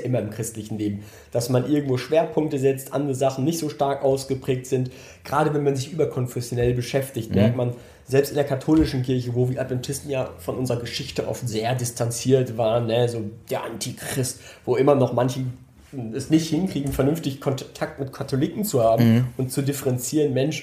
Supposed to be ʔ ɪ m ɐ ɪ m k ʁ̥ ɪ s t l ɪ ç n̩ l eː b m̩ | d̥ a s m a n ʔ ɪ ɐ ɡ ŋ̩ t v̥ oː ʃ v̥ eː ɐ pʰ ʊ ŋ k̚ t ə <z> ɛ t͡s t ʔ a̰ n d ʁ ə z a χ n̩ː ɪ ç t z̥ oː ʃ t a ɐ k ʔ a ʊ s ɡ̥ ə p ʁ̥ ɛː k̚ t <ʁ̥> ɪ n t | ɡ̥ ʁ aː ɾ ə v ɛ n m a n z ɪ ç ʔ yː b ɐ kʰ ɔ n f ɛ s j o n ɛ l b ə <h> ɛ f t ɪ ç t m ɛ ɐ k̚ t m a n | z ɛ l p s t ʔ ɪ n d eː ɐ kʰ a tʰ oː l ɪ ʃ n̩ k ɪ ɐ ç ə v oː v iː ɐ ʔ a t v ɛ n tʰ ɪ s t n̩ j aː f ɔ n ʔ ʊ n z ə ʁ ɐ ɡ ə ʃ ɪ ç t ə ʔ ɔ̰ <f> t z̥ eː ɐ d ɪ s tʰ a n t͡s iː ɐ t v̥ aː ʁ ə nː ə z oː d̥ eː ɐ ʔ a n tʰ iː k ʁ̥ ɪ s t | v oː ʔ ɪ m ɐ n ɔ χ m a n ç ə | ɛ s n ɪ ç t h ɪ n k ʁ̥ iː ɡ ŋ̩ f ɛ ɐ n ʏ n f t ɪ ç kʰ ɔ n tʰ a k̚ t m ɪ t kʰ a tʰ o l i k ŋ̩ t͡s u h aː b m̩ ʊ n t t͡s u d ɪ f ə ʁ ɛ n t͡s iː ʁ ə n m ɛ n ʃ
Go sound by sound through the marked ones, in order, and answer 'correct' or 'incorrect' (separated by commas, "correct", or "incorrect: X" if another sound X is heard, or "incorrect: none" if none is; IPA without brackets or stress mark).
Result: correct, incorrect: z̥, incorrect: ʃ, correct